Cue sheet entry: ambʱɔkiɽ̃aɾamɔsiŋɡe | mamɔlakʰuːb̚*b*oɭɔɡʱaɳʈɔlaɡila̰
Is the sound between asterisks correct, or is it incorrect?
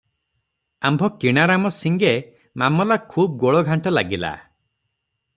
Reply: incorrect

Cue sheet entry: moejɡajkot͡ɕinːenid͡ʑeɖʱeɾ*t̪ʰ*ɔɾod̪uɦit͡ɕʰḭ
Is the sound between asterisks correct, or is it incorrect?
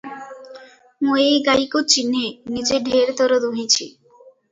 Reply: incorrect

